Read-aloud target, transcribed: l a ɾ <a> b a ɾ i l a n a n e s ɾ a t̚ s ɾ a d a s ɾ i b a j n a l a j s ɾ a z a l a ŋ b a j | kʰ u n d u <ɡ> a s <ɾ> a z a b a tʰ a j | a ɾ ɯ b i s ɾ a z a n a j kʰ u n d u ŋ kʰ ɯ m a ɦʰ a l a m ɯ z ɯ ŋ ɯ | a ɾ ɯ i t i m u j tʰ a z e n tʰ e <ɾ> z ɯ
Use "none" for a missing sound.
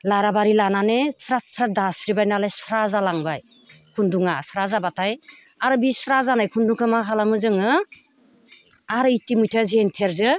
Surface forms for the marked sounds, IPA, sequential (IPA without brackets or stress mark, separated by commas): a, ŋ, ɾ, ɾ